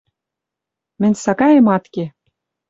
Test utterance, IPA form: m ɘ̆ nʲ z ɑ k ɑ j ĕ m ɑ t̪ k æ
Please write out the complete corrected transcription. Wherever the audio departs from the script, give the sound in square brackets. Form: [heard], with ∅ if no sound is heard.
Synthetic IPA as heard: m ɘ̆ nʲ [s] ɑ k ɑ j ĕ m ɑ t̪ k [e]